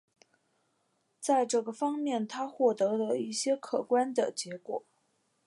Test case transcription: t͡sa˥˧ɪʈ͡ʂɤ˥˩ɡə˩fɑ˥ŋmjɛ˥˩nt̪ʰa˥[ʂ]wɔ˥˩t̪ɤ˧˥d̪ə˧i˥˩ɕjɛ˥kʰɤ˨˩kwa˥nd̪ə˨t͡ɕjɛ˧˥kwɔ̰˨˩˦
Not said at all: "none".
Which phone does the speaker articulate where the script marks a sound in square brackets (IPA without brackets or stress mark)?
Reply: x